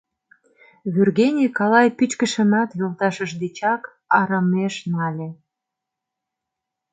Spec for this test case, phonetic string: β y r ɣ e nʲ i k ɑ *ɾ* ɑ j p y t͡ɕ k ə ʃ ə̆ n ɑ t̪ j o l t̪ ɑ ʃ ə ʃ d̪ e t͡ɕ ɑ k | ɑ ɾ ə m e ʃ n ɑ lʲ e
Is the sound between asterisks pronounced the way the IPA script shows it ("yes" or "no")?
no